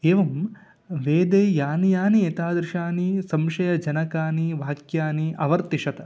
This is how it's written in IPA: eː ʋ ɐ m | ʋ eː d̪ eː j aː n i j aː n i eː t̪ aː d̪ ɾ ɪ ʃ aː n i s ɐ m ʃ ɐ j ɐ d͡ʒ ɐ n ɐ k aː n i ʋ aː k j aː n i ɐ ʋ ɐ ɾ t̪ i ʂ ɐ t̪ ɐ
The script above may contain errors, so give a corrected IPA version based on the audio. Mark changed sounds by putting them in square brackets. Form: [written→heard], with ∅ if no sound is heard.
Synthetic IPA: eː ʋ ɐ m | ʋ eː d̪ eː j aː n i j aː n i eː t̪ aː d̪ ɾ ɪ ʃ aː n i s ɐ m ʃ ɐ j ɐ d͡ʒ ɐ n ɐ k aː n i ʋ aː k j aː n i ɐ ʋ ɐ ɾ t̪ i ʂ ɐ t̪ ɐ

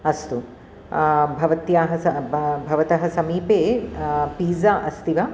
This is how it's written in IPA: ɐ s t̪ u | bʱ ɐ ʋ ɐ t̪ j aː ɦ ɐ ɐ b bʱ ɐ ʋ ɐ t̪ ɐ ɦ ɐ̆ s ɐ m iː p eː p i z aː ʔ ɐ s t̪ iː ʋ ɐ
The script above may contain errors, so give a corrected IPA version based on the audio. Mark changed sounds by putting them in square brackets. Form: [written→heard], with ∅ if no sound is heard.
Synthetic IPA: ɐ s t̪ u | bʱ ɐ ʋ ɐ t̪ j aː ɦ ɐ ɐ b bʱ ɐ ʋ ɐ t̪ ɐ ɦ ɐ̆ s ɐ m iː p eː p [i→iː] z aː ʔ ɐ s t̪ [iː→i] ʋ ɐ

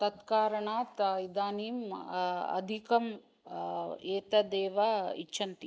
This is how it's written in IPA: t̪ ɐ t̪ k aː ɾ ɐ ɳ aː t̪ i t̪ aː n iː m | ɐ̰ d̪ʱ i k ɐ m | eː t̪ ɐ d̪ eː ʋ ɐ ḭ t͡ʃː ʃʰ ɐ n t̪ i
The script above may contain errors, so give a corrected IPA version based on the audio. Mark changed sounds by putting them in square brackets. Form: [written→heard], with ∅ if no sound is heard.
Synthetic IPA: t̪ ɐ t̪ k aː ɾ ɐ ɳ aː t̪ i [t̪→d̪] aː n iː m | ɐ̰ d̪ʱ i k ɐ m | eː t̪ ɐ d̪ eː ʋ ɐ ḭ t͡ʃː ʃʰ ɐ n t̪ i

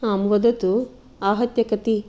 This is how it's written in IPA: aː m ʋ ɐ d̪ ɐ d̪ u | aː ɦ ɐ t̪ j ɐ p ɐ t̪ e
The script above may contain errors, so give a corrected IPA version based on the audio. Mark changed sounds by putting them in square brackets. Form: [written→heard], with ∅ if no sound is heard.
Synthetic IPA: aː m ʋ ɐ d̪ ɐ [d̪→t̪] u | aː ɦ ɐ t̪ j ɐ [p→k] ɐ t̪ [e→i]

